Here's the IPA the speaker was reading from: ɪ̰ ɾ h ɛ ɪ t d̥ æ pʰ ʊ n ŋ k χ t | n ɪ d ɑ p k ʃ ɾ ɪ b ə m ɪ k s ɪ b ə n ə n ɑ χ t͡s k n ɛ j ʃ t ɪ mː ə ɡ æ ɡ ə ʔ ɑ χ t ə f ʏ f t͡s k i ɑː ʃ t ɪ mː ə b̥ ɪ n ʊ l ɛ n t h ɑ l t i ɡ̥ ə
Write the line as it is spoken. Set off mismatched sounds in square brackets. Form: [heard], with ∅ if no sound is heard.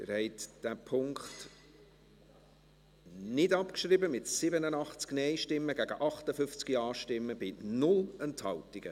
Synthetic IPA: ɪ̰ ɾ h ɛ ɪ t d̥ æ pʰ ʊ [∅] ŋ k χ t | n ɪ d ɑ p k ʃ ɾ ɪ b ə m ɪ [t] s ɪ b ə n ə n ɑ χ t͡s k n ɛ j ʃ t ɪ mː ə ɡ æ ɡ ə ʔ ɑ χ t ə f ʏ f t͡s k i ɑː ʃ t ɪ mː ə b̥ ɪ n ʊ l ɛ n t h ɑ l t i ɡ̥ ə